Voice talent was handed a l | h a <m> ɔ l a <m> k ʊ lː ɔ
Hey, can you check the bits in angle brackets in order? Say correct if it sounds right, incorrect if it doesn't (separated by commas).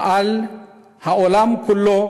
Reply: incorrect, correct